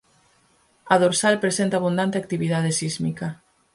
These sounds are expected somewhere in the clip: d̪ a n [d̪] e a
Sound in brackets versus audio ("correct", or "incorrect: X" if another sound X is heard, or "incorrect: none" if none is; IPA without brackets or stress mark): incorrect: t̪